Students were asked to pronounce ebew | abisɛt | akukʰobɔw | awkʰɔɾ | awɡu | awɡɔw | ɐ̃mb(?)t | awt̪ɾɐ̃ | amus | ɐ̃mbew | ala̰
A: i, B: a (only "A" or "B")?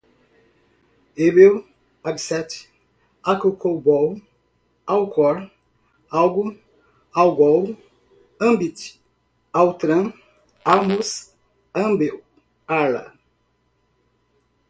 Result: A